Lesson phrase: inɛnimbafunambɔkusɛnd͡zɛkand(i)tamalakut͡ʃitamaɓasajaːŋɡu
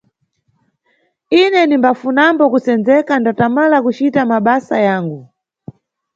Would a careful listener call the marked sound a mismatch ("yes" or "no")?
yes